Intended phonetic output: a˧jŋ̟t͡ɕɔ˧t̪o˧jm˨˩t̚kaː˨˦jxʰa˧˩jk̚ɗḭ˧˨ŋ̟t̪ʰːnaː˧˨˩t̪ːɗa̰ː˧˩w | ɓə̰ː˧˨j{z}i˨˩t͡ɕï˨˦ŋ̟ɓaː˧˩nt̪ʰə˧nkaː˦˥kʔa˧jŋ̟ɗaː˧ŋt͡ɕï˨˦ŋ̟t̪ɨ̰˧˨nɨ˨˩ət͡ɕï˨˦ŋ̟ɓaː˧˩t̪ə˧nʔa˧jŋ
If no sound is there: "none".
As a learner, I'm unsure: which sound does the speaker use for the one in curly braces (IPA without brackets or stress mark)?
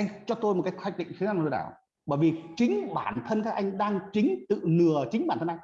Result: v